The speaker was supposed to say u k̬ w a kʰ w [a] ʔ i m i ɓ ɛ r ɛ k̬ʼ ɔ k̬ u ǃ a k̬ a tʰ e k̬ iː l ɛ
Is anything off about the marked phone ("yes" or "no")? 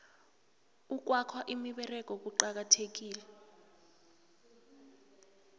no